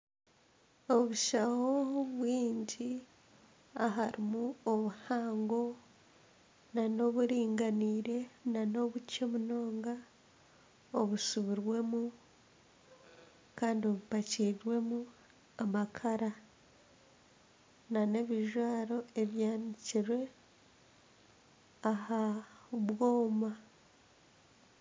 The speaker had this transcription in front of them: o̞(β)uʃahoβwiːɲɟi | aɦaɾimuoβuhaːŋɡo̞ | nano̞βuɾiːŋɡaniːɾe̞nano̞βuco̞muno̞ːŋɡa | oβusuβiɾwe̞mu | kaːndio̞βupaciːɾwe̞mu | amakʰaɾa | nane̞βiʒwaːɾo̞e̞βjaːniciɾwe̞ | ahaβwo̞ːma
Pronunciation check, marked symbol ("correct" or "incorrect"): correct